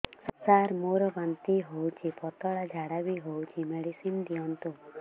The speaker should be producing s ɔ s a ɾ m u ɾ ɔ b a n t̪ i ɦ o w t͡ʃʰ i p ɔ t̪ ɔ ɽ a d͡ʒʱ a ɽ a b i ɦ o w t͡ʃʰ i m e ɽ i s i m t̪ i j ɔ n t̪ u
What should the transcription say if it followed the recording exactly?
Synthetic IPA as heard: s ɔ s a ɾ m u ɾ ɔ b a n t̪ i ɦ o w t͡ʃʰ i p ɔ t̪ ɔ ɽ a d͡ʒʱ a ɽ a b i ɦ o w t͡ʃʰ i m e ɽ i s i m d̪ i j ɔ n t̪ u